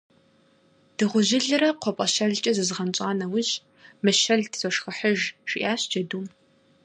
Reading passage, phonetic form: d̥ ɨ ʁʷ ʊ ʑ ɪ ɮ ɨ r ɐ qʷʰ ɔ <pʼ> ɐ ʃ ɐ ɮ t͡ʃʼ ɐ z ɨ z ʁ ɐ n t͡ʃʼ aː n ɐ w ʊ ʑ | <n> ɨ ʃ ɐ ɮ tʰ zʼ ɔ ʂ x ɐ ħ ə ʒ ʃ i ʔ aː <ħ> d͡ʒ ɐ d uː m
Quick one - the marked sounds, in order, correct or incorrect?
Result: correct, incorrect: m, incorrect: ɕ

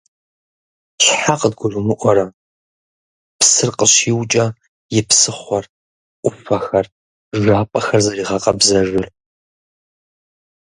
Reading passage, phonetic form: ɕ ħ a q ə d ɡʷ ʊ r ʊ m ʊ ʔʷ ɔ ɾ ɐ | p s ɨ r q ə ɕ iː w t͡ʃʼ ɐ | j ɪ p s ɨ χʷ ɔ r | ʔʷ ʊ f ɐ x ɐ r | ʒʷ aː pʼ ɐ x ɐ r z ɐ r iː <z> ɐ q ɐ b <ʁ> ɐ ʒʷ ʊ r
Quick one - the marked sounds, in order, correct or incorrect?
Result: incorrect: ʁ, incorrect: z

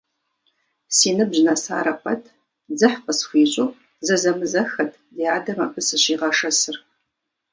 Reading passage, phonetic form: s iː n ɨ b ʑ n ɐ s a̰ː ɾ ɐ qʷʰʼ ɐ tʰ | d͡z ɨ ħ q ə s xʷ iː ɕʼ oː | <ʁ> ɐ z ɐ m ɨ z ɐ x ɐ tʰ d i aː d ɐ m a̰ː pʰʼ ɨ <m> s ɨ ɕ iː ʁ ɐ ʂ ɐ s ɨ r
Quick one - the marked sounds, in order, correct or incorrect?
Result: incorrect: z, incorrect: none

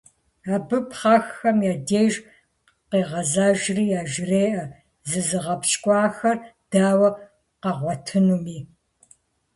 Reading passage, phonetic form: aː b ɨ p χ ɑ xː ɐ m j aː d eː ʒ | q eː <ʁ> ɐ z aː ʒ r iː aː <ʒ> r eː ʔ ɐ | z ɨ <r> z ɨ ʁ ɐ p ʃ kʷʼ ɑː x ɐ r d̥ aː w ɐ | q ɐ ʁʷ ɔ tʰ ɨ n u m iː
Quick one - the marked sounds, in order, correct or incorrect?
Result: correct, correct, incorrect: none

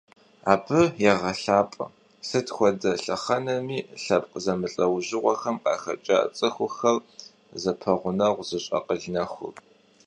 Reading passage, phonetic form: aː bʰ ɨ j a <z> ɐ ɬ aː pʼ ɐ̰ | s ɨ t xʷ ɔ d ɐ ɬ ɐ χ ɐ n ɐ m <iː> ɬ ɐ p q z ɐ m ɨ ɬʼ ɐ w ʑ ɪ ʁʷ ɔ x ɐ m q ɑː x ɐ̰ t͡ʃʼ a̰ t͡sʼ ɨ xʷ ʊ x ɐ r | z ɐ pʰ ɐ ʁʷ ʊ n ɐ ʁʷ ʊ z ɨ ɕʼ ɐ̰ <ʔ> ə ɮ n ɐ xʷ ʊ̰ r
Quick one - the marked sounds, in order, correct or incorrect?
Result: incorrect: ʁ, correct, incorrect: q

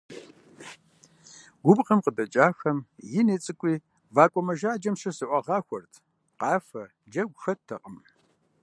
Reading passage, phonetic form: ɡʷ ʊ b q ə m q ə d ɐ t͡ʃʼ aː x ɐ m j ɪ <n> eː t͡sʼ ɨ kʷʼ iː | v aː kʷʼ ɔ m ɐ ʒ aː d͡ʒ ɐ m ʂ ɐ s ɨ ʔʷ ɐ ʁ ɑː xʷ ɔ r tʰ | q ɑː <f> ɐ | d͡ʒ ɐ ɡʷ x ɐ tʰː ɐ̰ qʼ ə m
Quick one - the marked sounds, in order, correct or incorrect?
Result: correct, correct

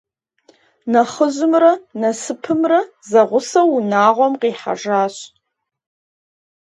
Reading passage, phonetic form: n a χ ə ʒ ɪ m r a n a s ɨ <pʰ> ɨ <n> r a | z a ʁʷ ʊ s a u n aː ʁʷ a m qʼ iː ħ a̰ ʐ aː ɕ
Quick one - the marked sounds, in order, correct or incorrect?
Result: correct, incorrect: m

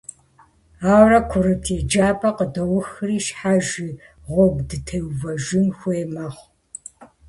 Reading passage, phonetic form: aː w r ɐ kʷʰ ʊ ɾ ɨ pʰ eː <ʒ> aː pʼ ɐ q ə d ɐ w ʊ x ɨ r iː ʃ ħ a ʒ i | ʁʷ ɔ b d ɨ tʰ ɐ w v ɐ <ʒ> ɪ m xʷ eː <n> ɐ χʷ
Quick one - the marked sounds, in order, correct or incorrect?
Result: incorrect: d͡ʒ, correct, incorrect: m

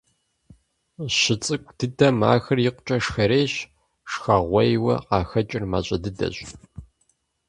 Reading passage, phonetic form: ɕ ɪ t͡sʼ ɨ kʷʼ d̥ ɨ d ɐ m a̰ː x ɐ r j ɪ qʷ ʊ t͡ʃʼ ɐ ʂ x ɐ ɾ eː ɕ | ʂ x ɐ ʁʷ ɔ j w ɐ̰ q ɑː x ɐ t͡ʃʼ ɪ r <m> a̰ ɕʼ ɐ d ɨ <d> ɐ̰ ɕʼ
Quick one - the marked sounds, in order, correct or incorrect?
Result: correct, correct

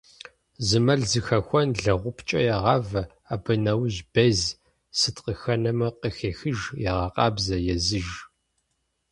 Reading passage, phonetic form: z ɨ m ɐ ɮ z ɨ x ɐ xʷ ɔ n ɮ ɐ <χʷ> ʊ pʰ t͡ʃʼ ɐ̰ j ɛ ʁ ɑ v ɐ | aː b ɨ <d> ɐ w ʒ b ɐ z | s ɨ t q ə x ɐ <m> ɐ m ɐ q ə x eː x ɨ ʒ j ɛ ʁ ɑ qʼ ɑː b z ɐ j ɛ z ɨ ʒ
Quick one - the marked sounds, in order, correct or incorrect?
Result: incorrect: ʁʷ, incorrect: n, incorrect: n

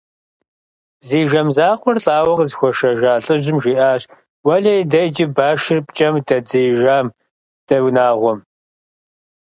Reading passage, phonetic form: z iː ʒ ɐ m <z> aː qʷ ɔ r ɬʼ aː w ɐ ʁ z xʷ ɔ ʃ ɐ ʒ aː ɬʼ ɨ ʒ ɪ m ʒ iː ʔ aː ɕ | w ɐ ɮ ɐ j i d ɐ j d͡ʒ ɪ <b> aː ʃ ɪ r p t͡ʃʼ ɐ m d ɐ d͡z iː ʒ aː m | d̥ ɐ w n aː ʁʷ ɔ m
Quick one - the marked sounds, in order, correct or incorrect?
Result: correct, correct

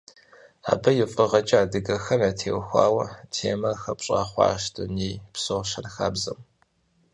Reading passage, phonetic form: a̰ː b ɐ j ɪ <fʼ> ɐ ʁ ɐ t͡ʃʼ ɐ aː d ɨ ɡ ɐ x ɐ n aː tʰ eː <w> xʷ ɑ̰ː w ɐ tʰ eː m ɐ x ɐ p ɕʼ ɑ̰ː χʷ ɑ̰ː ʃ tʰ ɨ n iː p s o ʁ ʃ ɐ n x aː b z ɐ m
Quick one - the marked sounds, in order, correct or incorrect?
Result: correct, correct

